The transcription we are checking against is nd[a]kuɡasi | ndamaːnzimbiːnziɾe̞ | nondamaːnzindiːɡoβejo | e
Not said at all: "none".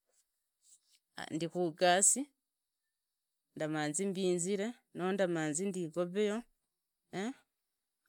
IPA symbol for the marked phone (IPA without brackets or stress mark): i